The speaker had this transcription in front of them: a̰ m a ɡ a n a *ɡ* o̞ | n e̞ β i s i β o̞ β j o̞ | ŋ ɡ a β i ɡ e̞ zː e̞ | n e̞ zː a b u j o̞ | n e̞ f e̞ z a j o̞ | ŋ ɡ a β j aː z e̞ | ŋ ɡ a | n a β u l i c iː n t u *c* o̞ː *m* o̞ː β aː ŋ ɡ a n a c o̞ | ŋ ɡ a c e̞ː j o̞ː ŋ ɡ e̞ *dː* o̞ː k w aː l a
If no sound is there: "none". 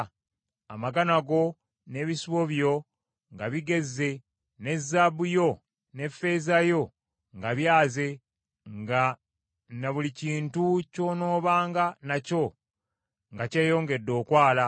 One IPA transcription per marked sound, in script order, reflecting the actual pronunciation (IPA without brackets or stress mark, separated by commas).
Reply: ɡ, c, n, dː